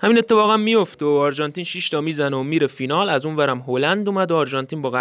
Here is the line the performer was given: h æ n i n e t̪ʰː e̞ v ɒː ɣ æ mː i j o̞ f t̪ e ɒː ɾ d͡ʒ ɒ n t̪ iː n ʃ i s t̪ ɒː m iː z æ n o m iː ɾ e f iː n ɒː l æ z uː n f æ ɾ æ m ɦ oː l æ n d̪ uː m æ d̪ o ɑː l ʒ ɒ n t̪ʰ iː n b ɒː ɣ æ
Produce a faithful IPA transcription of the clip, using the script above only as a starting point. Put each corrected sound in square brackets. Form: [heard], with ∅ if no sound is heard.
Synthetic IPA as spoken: h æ [m] i n e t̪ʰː e̞ [f] ɒː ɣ æ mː i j o̞ f t̪ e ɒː ɾ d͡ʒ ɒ n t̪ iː n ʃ i [ʃ] t̪ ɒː m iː z æ n o m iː ɾ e f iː n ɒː l æ z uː n [v] æ ɾ æ m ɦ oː l æ n d̪ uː m æ d̪ o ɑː [ɾ] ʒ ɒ n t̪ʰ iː n b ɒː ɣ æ